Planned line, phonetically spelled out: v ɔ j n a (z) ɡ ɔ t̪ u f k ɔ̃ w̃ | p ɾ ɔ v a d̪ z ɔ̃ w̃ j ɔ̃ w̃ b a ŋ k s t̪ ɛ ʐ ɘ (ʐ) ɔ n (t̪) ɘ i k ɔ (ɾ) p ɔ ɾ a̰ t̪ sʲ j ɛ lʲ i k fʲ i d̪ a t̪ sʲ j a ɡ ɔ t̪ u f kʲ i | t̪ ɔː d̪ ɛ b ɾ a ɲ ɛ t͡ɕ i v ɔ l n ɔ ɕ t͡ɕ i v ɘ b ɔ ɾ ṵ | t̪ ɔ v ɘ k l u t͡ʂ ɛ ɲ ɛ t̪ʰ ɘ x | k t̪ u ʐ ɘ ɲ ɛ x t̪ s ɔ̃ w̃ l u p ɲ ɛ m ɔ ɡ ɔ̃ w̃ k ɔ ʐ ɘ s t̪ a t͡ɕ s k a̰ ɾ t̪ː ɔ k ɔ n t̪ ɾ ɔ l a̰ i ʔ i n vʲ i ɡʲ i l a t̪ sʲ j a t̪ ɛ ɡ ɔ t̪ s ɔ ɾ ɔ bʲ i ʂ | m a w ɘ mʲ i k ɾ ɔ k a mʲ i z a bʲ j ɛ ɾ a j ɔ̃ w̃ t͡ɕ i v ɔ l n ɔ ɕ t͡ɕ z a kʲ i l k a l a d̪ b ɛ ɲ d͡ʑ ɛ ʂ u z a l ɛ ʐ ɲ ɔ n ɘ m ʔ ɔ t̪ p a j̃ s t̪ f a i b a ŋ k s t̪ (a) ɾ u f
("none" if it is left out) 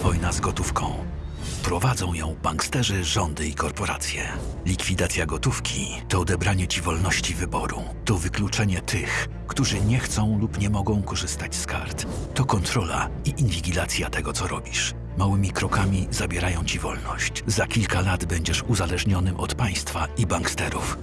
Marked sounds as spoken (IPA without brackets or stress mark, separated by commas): z, ʐ, d̪, ɾ, ɛ